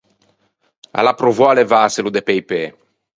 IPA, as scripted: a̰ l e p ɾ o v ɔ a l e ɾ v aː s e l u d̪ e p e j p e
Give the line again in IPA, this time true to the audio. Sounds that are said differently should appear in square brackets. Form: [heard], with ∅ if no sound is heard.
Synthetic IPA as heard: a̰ l [a] p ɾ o v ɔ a l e [∅] v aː s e l u d̪ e p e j p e

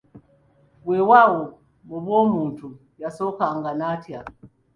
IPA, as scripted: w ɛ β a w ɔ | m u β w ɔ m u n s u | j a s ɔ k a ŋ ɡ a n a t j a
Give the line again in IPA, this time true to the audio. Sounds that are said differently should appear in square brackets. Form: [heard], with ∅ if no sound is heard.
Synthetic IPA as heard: w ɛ [w] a w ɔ | m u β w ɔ m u n [t] u | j a s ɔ k a ŋ ɡ a n a t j a

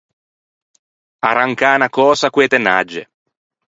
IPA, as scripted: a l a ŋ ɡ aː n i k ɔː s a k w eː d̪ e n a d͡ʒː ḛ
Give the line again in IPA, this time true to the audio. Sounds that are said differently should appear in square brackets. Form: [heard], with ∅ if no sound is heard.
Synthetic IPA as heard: a [ɾ] a ŋ [k] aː n [a] k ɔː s a k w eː [t̪] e n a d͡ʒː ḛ

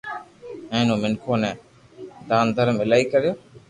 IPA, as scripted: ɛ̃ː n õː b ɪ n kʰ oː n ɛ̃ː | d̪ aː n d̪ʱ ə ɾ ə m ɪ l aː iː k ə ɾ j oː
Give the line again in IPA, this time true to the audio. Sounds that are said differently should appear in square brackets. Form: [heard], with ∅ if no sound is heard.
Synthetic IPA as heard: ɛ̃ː n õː [m] ɪ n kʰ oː n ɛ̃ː | d̪ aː n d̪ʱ ə ɾ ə m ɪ l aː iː k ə ɾ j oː

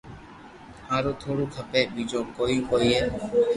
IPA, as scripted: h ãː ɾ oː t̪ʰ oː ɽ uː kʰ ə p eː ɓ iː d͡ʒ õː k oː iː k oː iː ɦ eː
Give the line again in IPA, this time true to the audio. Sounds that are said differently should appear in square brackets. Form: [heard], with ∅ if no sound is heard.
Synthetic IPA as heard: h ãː ɾ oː t̪ʰ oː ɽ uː kʰ ə p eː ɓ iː d͡ʒ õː k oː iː k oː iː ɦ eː

